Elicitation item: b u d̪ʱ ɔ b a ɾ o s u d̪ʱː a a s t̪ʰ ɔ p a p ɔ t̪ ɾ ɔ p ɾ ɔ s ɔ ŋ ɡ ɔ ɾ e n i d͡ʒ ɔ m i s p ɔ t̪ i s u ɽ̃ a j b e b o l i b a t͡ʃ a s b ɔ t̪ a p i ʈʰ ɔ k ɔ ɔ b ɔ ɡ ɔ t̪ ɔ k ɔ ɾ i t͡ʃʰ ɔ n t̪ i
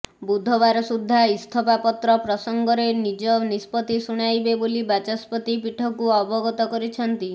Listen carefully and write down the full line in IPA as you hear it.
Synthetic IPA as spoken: b u d̪ʱ ɔ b a ɾ ɔ s u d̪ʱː a i s t̪ʰ ɔ p a p ɔ t̪ ɾ ɔ p ɾ ɔ s ɔ ŋ ɡ ɔ ɾ e n i d͡ʒ ɔ n i s p ɔ t̪ i s u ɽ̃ a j b e b o l i b a t͡ʃ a s p ɔ t̪ i p i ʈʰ ɔ k u ɔ b ɔ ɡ ɔ t̪ ɔ k ɔ ɾ i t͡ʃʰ ɔ n t̪ i

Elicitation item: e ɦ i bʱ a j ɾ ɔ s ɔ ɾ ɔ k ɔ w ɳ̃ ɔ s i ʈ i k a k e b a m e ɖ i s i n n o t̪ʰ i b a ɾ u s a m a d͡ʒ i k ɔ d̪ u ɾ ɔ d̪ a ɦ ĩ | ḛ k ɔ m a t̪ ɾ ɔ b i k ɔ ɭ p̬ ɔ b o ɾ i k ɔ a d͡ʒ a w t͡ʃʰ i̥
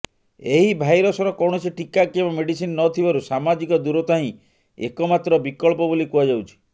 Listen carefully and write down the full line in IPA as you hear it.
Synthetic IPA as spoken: e ɦ i bʱ a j ɾ ɔ s ɔ ɾ ɔ k ɔ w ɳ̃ ɔ s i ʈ i k a k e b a m e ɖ i s i n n ɔ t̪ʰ i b a ɾ u s a m a d͡ʒ i k ɔ d̪ u ɾ ɔ t̪ a ɦ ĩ | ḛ k ɔ m a t̪ ɾ ɔ b i k ɔ ɭ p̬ ɔ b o l i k u a d͡ʒ a w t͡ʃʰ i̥

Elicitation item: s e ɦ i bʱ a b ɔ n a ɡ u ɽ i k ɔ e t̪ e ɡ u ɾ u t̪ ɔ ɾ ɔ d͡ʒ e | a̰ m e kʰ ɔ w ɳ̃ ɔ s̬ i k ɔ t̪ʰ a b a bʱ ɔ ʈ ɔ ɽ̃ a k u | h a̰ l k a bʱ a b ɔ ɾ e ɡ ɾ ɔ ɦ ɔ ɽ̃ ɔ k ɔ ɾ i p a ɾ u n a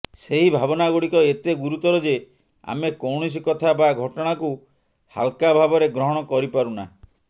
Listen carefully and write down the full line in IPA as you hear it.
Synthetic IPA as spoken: s e ɦ i bʱ a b ɔ n a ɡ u ɽ i k ɔ e t̪ e ɡ u ɾ u t̪ ɔ ɾ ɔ d͡ʒ e | a̰ m e k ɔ w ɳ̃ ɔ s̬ i k ɔ t̪ʰ a b a ɡʱ ɔ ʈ ɔ ɽ̃ a k u | h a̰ l k a bʱ a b ɔ ɾ e ɡ ɾ ɔ ɦ ɔ ɽ̃ ɔ k ɔ ɾ i p a ɾ u n a

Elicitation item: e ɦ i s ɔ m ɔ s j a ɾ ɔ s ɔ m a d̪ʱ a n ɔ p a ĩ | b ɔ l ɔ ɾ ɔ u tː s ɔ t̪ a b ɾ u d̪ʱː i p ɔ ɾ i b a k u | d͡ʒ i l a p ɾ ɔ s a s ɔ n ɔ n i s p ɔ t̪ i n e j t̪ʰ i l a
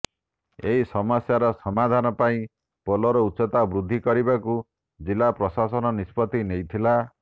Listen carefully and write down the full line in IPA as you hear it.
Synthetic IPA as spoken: e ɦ i s ɔ m ɔ s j a ɾ ɔ s ɔ m a d̪ʱ a n ɔ p a ĩ | p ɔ l ɔ ɾ ɔ u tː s ɔ t̪ a b ɾ u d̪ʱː i k ɔ ɾ i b a k u | d͡ʒ i l a p ɾ ɔ s a s ɔ n ɔ n i s p ɔ t̪ i n e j t̪ʰ i l a

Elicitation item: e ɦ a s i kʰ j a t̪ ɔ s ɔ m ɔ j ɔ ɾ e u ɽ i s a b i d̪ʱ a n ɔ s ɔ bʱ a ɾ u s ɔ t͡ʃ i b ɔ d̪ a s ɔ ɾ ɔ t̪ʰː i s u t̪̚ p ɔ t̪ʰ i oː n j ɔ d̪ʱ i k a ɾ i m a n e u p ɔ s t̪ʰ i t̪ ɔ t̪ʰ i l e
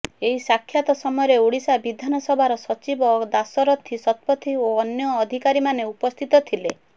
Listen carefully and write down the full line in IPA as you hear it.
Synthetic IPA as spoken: e ɦ i s a kʰ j a t̪ ɔ s ɔ m ɔ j ɔ ɾ e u ɽ i s a b i d̪ʱ a n ɔ s ɔ bʱ a ɾ ɔ s ɔ t͡ʃ i b ɔ d̪ a s ɔ ɾ ɔ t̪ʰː i s ɔ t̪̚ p ɔ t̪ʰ i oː n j ɔː d̪ʱ i k a ɾ i m a n e u p ɔ s t̪ʰ i t̪ ɔ t̪ʰ i l e

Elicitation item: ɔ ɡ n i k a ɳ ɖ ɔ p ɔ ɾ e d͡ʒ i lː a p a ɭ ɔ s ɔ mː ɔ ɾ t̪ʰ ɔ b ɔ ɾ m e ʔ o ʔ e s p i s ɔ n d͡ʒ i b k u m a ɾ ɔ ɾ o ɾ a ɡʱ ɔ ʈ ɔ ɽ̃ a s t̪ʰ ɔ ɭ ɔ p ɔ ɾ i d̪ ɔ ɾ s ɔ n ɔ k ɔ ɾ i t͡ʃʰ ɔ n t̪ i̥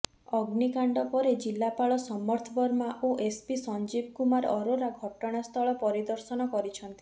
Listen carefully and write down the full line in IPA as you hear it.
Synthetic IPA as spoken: ɔ ɡ n i k a ɳ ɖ ɔ p ɔ ɾ e d͡ʒ i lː a p a ɭ ɔ s ɔ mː ɔ ɾ t̪ʰ ɔ b ɔ ɾ m a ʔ o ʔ e s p i s ɔ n d͡ʒ i b k u m a ɾ ɔ ɾ o ɾ a ɡʱ ɔ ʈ ɔ ɽ̃ a s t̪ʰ ɔ ɭ ɔ p ɔ ɾ i d̪ ɔ ɾ s ɔ n ɔ k ɔ ɾ i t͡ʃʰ ɔ n t̪ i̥

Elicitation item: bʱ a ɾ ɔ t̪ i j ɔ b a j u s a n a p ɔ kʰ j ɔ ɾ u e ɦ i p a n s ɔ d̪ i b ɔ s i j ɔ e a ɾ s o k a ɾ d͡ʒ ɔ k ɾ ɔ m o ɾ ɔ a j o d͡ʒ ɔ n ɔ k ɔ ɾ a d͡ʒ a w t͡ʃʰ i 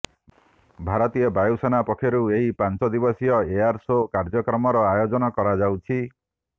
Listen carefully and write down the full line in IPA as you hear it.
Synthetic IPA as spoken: bʱ a ɾ ɔ t̪ i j ɔ b a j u s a n a p ɔ kʰ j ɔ ɾ u e ɦ i p a n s ɔ d̪ i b ɔ s i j ɔ e a ɾ s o k a ɾ d͡ʒ ɔ k ɾ ɔ m ɔ ɾ ɔ a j o d͡ʒ ɔ n ɔ k ɔ ɾ a d͡ʒ a w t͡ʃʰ i

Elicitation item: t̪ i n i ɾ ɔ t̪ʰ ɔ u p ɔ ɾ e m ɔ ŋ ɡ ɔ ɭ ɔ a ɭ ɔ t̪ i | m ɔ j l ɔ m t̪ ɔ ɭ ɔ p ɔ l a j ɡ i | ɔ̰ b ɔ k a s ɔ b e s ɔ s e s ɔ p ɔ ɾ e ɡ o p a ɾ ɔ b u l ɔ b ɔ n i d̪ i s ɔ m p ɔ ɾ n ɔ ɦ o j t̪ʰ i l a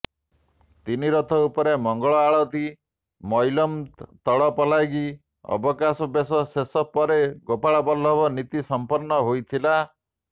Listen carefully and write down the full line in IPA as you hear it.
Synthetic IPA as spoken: t̪ i n i ɾ ɔ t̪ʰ ɔ u p ɔ ɾ e m ɔ ŋ ɡ ɔ ɭ ɔ a ɭ ɔ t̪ i | m ɔ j l ɔ m t̪ ɔ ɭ ɔ p ɔ l a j ɡ i | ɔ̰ b ɔ k a s ɔ b e s ɔ s e s ɔ p ɔ ɾ e ɡ o p a ɭ ɔ b ɔ l ɔ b ɔ n i t̪ i s ɔ m p ɔ ɾ n ɔ ɦ o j t̪ʰ i l a

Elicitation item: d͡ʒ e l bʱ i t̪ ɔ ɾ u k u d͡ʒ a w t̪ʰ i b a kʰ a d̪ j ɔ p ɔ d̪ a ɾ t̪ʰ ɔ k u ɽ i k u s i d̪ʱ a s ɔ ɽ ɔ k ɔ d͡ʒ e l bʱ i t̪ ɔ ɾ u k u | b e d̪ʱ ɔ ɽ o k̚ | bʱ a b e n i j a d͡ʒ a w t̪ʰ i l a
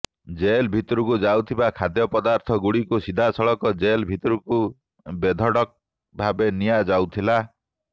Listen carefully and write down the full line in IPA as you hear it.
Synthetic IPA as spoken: d͡ʒ e l bʱ i t̪ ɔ ɾ u k u d͡ʒ a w t̪ʰ i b a kʰ a d̪ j ɔ p ɔ d̪ a ɾ t̪ʰ ɔ ɡ u ɽ i k u s i d̪ʱ a s ɔ ɭ ɔ k ɔ d͡ʒ e l bʱ i t̪ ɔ ɾ u k u | b e d̪ʱ ɔ ɽ ɔ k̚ | bʱ a b e n i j a d͡ʒ a w t̪ʰ i l a

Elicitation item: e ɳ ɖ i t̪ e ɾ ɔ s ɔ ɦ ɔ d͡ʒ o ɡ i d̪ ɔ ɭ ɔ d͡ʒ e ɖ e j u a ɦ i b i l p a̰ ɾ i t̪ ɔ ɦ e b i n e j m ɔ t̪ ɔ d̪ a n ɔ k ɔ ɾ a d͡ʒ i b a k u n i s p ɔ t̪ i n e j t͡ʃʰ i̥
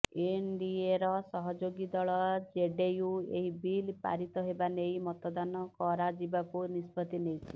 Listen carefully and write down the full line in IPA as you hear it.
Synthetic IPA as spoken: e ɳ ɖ i e ɾ ɔ s ɔ ɦ ɔ d͡ʒ o ɡ i d̪ ɔ ɭ ɔ d͡ʒ e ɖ e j u e ɦ i b i l p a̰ ɾ i t̪ ɔ ɦ e b a n e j m ɔ t̪ ɔ d̪ a n ɔ k ɔ ɾ a d͡ʒ i b a k u n i s p ɔ t̪ i n e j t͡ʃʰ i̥

